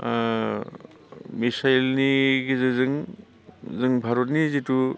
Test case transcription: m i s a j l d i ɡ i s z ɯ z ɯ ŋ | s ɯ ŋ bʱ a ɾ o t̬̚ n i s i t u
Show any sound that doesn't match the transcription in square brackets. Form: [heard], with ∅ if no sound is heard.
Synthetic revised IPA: m i s a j l [n] i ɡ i [∅] z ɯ z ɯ ŋ | [z] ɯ ŋ bʱ a ɾ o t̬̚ n i [z] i t u